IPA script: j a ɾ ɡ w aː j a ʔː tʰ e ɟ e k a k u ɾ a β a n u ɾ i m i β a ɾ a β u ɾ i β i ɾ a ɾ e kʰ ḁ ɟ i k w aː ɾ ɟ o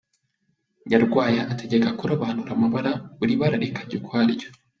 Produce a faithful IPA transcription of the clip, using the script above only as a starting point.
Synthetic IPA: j a ɾ ɡ w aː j a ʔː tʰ e ɟ e k a k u ɾ a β a n u ɾ a m a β a ɾ a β u ɾ i β a ɾ a ɾ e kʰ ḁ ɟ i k w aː ɾ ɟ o